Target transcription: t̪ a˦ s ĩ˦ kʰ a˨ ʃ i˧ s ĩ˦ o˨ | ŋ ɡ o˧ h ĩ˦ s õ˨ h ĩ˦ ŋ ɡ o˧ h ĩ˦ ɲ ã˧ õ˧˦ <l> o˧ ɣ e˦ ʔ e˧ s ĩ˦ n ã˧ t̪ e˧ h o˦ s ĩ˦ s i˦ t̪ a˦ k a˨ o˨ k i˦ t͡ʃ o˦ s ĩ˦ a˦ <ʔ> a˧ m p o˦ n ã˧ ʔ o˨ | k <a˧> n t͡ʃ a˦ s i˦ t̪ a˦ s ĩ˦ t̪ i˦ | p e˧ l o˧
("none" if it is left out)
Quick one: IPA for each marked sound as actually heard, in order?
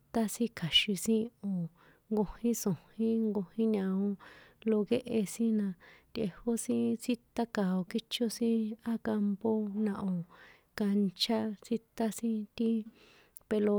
l, k, a˧

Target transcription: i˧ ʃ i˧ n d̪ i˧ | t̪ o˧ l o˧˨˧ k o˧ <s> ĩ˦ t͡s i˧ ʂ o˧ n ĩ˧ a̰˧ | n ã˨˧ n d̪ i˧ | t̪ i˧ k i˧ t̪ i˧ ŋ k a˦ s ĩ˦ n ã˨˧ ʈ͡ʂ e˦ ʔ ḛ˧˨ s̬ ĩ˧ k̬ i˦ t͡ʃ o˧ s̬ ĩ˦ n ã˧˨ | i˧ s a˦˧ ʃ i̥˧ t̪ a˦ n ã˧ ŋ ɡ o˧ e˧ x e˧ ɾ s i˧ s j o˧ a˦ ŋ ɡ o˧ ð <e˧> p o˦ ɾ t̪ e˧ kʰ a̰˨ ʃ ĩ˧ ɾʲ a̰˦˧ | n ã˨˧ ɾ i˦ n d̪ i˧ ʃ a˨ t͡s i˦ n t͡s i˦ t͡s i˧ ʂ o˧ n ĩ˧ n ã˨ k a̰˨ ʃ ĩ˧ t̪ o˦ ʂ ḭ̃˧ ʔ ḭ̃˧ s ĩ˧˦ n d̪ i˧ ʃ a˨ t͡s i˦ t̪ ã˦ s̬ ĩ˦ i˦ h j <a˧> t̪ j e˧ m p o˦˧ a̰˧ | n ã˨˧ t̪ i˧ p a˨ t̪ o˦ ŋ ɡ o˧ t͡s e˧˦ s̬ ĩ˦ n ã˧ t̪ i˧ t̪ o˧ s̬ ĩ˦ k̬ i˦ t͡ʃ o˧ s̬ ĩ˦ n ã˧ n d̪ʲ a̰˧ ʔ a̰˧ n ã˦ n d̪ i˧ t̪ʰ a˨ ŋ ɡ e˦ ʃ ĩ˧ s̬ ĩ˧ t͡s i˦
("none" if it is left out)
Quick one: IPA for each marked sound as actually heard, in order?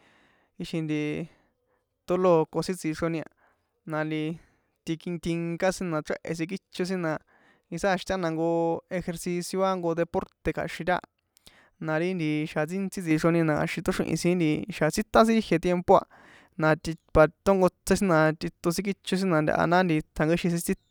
s, e˧, e˧

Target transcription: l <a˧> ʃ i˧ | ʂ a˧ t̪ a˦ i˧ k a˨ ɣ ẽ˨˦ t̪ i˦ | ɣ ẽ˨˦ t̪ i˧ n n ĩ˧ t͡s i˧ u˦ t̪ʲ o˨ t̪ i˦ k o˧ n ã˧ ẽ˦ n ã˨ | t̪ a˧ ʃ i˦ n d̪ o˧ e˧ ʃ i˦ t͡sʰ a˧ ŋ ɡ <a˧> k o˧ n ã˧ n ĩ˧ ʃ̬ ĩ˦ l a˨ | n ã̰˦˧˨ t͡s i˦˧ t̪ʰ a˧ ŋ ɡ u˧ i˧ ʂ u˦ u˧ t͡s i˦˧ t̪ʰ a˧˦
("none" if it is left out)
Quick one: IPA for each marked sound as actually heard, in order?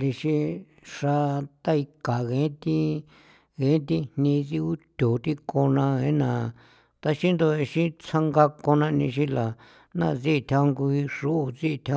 i˧, a˧

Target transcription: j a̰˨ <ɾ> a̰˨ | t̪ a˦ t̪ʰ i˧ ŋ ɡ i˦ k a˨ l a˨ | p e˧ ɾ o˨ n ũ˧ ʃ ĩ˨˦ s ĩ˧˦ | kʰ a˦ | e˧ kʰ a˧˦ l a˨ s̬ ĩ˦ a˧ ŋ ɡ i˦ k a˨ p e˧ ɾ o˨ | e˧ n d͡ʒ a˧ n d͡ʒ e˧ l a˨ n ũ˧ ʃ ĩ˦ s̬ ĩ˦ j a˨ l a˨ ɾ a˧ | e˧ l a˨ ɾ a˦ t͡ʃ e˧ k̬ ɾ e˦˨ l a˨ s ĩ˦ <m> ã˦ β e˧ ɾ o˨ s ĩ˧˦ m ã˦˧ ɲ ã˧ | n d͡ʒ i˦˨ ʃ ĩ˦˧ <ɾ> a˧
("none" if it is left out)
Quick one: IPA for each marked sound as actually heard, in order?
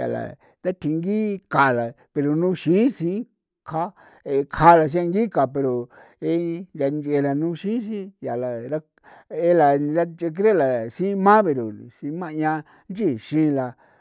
l, m, l

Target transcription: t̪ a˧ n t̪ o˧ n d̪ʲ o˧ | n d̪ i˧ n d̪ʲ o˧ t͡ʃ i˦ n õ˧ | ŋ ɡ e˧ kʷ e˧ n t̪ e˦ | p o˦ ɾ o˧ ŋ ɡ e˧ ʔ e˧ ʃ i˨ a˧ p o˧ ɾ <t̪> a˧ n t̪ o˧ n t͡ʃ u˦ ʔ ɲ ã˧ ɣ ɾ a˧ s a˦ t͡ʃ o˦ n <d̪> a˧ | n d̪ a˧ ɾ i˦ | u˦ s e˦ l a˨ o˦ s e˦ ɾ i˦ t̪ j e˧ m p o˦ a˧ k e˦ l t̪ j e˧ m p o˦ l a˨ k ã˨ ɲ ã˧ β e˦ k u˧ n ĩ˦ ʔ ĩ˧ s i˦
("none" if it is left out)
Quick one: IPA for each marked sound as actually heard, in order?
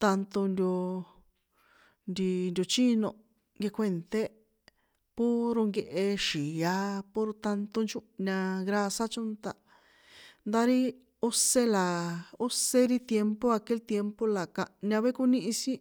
t̪, t̪

